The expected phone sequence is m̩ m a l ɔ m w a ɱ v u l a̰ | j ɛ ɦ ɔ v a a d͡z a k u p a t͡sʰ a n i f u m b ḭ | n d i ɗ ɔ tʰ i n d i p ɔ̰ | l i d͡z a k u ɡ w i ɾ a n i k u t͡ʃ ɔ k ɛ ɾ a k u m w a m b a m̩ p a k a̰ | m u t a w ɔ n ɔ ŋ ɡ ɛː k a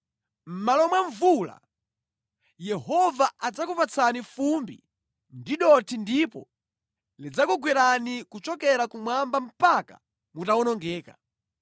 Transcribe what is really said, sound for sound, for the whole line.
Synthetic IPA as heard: m̩ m a l ɔ m w a ɱ v u l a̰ | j ɛ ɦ ɔ v a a d͡z a k u p a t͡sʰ a n i f u m b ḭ | n d i ɗ ɔ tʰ i n d i p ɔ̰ | l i d͡z a k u ɡ w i ɾ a n i k u t͡ʃ ɔ k ɛ ɾ a k u m w a m b a m̩ p a k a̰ | m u t a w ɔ n ɔ ŋ ɡ ɛː k a